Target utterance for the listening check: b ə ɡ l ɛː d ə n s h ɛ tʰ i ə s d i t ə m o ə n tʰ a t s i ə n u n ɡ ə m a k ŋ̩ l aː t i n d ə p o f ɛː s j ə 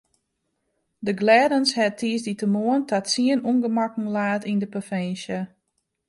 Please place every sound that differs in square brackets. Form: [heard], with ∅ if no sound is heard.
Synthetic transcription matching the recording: [d] ə ɡ l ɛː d ə n s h ɛ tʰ i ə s d i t ə m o ə n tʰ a t s i ə n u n ɡ ə m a k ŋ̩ l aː t i n d ə p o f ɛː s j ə